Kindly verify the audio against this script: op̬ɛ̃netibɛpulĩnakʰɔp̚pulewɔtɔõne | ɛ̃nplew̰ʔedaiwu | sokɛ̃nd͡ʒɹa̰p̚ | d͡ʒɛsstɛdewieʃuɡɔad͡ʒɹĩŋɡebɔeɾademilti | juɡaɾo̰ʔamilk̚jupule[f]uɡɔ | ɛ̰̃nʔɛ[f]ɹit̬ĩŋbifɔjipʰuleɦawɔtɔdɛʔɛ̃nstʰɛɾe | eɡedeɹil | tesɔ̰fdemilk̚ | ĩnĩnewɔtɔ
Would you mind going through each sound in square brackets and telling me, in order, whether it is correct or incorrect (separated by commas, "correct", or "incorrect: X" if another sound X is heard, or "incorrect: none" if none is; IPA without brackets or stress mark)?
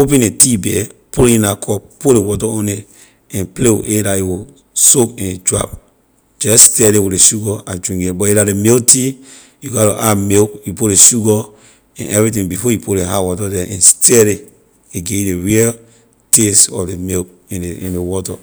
incorrect: ʃ, incorrect: v